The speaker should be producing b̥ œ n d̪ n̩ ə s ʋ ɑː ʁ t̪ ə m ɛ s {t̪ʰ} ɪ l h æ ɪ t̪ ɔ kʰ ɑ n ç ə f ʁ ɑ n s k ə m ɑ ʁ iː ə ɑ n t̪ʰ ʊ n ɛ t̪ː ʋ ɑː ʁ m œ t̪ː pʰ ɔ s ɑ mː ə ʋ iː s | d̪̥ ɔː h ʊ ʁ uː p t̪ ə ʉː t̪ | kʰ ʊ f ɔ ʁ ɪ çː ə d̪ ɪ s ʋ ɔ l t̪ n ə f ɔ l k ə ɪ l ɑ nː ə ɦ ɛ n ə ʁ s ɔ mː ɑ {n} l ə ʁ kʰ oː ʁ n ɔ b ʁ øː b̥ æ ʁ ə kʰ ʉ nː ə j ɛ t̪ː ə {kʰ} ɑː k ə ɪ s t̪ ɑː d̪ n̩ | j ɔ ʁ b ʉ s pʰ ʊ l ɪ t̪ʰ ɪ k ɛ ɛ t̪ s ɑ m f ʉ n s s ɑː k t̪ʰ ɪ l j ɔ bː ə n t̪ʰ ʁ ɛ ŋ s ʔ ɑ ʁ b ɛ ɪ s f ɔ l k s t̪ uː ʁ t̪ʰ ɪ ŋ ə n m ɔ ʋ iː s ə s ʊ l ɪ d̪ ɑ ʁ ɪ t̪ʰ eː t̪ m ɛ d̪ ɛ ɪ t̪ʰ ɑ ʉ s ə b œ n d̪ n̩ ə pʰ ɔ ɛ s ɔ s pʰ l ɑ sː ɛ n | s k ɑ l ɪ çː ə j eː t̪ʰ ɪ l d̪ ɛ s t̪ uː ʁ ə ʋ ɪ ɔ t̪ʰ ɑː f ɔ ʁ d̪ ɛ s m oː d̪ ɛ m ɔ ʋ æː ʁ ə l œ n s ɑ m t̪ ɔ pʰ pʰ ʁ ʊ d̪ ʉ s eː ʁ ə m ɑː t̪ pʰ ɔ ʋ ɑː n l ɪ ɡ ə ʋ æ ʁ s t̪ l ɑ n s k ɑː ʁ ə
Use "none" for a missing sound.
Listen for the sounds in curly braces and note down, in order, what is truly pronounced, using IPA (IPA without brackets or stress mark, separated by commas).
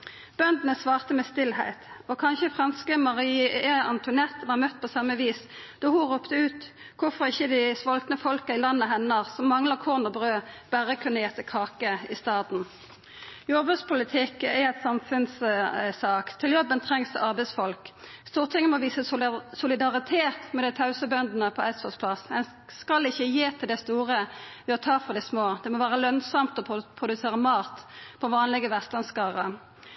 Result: t̪, ŋ, kʰ